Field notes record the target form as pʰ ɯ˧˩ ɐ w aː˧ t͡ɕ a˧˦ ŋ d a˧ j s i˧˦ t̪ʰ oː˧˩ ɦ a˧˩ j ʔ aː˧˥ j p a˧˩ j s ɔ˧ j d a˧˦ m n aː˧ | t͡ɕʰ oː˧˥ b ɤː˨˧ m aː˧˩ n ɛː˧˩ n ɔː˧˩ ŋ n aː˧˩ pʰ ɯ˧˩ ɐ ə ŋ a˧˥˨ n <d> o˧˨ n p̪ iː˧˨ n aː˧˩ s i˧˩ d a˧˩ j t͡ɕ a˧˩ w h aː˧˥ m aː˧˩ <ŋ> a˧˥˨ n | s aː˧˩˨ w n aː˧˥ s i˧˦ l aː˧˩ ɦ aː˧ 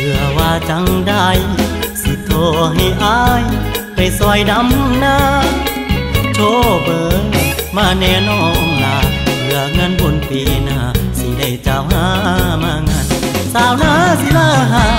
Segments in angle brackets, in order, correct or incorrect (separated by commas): incorrect, correct